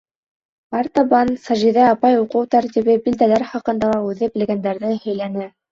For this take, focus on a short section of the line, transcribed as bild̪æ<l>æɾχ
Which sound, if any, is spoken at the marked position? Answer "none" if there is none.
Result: l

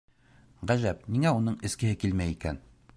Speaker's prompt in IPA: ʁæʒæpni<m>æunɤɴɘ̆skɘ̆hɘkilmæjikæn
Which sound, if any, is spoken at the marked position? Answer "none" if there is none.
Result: ŋ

